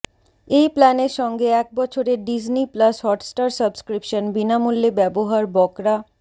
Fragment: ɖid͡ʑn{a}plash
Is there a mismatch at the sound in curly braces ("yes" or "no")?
yes